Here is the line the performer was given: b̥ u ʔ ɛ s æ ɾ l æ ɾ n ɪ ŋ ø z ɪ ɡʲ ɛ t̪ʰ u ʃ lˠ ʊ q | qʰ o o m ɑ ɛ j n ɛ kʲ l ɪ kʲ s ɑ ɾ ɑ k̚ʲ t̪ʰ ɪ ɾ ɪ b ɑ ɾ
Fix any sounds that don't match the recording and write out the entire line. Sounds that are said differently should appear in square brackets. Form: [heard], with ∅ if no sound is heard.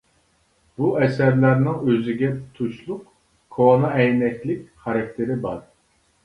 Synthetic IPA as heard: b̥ u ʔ ɛ s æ ɾ l æ ɾ n ɪ ŋ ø z ɪ ɡʲ ɛ t̪ʰ u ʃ lˠ ʊ q | [kʰ] o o [n] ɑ ɛ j n ɛ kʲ l ɪ kʲ [χ] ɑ ɾ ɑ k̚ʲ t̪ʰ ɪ ɾ ɪ b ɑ ɾ